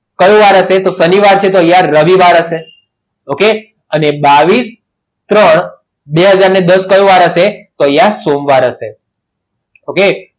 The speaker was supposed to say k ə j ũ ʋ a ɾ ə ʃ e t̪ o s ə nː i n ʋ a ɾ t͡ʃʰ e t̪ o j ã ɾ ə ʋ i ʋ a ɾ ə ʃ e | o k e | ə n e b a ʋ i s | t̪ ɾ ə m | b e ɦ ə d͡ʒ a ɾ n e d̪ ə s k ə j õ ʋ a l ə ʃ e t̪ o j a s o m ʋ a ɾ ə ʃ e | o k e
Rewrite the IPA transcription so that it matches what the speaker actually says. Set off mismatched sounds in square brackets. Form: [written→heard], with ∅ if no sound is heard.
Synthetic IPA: k ə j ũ ʋ a ɾ ə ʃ e t̪ o s ə [nː→n] i [n→∅] ʋ a ɾ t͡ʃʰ e t̪ o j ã ɾ ə ʋ i ʋ a ɾ ə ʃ e | o k e | ə n e b a ʋ i s | t̪ ɾ ə [m→ɳ] | b e ɦ ə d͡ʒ a ɾ n e d̪ ə s k ə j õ ʋ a [l→ɾ] ə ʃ e t̪ o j a s o m ʋ a ɾ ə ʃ e | o k e